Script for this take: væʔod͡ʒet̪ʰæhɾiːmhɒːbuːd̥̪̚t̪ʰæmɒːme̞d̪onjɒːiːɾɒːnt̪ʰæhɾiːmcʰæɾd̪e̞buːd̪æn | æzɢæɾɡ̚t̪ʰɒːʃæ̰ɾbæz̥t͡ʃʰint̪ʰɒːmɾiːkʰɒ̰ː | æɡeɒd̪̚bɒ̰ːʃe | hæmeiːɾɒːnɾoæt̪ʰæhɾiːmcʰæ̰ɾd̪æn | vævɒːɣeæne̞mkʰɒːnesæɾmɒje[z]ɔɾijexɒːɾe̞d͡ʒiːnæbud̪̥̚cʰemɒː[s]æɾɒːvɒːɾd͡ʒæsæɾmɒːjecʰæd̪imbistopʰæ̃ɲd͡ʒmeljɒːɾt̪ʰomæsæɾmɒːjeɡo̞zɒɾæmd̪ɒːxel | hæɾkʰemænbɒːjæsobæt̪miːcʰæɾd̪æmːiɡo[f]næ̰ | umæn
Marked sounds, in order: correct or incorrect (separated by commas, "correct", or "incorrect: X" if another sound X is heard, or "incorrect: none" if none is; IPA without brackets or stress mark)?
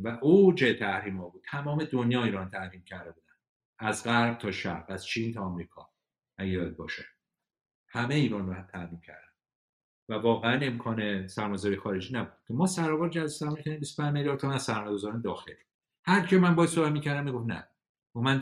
correct, correct, correct